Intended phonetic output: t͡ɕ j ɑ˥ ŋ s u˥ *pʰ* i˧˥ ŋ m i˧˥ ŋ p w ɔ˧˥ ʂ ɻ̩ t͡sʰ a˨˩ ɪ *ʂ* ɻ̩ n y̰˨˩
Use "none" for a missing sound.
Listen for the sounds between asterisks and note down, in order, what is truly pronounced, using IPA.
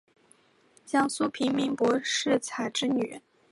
pʰ, ʈ͡ʂ

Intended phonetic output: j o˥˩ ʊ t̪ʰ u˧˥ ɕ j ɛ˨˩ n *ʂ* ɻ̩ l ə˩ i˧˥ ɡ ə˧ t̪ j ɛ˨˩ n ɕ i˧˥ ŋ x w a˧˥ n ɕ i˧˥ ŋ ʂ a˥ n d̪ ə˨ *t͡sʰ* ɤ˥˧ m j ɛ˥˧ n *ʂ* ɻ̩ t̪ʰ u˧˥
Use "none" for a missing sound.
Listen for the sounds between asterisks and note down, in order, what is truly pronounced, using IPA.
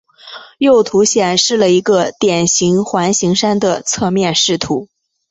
ʂ, t͡sʰ, ʂ

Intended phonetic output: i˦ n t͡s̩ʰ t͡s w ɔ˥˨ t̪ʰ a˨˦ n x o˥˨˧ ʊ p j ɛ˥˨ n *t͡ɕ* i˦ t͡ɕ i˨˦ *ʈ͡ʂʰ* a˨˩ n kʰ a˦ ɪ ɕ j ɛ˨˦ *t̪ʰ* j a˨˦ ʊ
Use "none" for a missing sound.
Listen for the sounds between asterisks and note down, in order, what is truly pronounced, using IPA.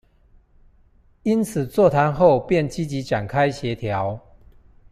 t͡ɕ, ʈ͡ʂ, t̪ʰ

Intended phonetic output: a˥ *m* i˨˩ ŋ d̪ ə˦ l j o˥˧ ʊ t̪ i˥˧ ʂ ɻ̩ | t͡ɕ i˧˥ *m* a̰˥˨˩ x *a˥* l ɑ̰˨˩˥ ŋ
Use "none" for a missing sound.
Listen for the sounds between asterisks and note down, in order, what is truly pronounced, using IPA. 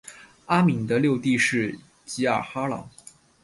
m, none, a˥

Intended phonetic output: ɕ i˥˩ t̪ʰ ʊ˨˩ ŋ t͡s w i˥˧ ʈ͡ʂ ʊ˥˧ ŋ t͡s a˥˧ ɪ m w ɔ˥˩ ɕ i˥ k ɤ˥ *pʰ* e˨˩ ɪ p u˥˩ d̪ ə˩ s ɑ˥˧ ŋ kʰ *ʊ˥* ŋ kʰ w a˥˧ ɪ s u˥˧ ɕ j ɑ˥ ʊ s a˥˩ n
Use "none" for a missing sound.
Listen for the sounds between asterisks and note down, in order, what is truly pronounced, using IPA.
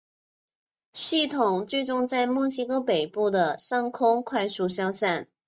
p, ʊ˥

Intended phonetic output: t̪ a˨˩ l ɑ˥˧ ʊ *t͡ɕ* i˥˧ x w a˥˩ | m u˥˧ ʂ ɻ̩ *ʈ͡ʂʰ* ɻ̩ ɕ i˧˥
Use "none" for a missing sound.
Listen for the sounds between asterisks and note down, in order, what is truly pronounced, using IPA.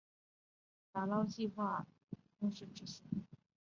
t͡ɕ, ʈ͡ʂ

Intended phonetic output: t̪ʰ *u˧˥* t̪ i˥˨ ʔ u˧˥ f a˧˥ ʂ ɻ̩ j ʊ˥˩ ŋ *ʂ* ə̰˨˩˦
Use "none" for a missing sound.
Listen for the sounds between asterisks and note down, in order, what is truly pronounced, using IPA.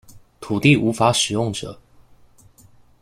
u˨˩, ʈ͡ʂ

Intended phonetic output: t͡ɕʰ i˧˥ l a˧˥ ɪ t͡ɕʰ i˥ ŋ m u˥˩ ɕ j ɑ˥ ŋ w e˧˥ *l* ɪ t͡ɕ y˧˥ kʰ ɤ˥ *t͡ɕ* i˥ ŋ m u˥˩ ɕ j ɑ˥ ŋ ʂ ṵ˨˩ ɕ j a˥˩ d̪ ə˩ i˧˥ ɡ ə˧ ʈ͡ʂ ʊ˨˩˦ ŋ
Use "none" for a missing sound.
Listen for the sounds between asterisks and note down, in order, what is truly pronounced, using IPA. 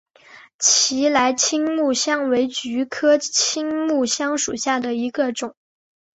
none, t͡ɕʰ

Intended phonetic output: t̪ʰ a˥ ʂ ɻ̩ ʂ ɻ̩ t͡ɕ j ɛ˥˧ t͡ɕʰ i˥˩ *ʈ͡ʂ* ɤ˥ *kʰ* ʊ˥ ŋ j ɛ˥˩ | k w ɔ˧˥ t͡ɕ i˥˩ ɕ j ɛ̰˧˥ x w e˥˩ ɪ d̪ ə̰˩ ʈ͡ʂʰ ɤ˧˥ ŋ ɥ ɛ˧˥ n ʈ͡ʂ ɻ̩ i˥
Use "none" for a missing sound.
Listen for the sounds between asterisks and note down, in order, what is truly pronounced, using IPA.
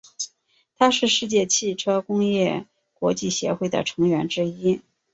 ʈ͡ʂʰ, k

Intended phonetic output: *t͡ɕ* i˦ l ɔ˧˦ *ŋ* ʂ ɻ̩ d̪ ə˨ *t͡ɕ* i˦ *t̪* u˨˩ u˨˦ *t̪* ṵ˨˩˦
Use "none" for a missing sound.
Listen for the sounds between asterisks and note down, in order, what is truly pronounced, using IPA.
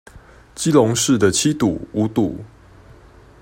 t͡ɕ, ŋ, t͡ɕʰ, t̪, t̪

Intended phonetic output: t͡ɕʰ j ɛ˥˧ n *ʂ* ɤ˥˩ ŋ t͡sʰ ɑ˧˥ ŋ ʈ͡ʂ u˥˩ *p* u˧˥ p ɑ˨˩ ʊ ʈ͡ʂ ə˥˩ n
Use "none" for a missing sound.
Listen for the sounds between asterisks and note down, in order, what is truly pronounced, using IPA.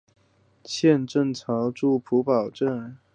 ʈ͡ʂ, pʰ

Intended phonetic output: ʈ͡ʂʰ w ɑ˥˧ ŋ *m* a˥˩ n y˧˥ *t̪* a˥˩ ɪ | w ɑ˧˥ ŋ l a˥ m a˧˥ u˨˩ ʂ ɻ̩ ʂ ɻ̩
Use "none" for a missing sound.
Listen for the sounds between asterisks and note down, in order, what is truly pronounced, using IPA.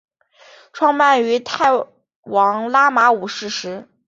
m, t̪ʰ

